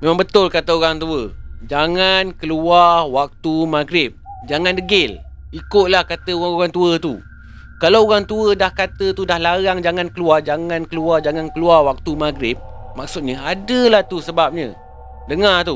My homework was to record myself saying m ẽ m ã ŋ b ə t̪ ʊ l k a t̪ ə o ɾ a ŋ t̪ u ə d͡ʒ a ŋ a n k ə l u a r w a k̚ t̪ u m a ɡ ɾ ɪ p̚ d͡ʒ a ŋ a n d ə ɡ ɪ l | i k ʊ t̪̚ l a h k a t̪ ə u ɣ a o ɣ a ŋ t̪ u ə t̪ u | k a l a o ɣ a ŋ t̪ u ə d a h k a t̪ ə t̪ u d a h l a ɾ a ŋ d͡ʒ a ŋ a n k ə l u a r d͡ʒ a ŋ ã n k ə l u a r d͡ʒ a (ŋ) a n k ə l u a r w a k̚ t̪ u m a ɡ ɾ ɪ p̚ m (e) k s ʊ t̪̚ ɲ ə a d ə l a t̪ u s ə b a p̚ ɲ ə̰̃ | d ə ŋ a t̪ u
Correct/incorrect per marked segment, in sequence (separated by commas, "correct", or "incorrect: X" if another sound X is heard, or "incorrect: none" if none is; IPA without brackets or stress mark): correct, incorrect: a